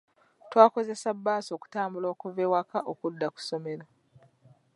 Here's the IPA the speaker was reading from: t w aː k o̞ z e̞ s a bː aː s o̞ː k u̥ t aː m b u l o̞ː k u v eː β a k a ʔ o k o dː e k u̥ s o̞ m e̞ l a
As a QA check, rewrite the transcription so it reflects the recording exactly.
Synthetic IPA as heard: t w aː k o̞ z e̞ s a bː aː s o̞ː k u̥ t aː m b u l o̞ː k u v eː w a k a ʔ o k u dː a k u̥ s o̞ m e̞ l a